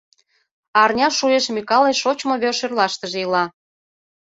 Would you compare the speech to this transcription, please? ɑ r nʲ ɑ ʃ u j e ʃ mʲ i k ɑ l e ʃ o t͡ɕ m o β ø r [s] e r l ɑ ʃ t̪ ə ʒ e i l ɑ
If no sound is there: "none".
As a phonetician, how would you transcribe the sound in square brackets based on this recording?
ʃ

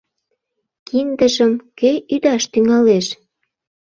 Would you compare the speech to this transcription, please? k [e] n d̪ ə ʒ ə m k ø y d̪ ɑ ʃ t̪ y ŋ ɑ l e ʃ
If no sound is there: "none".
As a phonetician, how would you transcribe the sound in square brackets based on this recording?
i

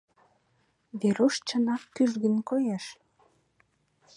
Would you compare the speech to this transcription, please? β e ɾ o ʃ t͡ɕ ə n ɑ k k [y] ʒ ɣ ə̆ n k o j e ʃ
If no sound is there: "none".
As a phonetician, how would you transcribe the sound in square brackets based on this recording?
y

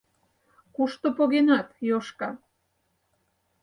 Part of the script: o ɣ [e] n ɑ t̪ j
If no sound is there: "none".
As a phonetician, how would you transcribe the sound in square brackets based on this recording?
e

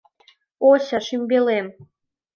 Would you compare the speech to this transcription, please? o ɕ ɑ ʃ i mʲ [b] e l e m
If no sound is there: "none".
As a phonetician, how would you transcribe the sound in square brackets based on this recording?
b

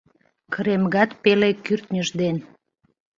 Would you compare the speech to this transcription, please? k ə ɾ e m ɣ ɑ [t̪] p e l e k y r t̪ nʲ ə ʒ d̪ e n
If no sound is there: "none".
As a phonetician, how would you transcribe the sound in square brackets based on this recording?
t̪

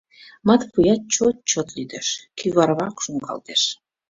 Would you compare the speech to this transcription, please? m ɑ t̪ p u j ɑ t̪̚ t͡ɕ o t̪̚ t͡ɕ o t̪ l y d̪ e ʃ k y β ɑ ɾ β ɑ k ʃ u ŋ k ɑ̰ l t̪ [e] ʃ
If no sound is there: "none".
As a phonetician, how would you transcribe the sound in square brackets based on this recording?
e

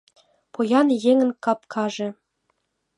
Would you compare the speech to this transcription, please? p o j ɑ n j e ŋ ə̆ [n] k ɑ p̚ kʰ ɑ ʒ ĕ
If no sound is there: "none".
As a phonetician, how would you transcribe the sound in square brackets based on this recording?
n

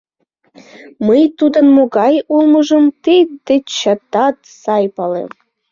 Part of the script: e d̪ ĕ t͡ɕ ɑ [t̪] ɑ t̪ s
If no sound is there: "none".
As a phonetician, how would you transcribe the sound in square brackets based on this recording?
t̪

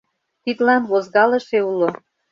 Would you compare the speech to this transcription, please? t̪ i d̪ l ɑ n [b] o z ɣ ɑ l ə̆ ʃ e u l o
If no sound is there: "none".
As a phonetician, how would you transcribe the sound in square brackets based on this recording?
β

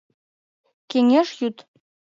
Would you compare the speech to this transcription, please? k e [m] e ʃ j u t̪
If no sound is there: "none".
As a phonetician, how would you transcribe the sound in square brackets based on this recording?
ŋ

